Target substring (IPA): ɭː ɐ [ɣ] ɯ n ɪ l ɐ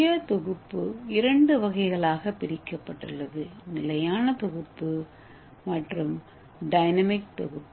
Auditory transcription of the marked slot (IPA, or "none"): ð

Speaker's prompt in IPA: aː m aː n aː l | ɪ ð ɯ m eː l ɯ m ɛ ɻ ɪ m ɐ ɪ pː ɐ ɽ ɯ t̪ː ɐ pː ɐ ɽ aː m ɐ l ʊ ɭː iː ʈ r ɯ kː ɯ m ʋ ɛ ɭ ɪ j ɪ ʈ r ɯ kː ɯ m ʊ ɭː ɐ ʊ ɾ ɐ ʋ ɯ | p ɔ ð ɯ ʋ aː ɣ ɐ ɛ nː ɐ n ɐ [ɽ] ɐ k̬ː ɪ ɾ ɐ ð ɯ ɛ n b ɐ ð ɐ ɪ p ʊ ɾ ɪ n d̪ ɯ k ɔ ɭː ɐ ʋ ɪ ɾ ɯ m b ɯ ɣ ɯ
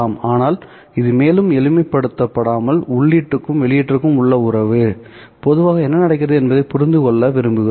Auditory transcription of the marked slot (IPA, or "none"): ɽ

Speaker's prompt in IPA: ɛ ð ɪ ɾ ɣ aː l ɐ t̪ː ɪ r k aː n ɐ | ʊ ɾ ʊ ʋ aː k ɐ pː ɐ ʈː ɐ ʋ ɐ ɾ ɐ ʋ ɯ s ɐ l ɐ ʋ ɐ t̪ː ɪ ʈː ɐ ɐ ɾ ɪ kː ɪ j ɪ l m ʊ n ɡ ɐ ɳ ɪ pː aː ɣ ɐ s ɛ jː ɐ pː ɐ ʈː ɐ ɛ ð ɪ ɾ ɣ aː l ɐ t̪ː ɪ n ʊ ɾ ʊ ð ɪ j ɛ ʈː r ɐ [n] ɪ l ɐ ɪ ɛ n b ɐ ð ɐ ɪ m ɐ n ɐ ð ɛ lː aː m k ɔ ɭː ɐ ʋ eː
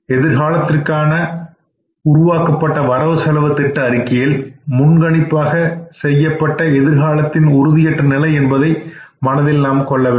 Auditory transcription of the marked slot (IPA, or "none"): n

